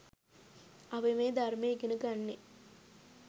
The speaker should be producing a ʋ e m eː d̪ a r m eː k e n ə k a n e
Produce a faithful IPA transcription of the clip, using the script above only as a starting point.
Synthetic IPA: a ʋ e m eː d̪ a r m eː ɡ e n ə ɡ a nː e